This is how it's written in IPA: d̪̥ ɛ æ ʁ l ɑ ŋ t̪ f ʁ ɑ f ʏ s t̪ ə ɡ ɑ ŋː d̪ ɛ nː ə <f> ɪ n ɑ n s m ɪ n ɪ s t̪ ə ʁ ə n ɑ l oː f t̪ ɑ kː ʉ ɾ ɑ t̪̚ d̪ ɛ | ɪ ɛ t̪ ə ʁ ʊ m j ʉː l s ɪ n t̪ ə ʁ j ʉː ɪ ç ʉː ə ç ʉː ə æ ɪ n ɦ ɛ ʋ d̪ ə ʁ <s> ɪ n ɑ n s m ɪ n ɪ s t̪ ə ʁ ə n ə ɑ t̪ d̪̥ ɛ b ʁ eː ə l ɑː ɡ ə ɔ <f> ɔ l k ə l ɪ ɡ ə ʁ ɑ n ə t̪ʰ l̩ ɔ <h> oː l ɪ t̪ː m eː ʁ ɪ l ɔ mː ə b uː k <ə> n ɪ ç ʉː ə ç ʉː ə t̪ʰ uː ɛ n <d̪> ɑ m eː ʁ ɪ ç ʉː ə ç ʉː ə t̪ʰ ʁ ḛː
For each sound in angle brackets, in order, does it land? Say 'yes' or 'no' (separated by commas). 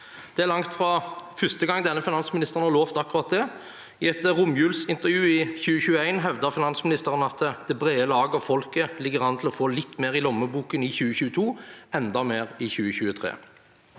yes, no, yes, no, yes, yes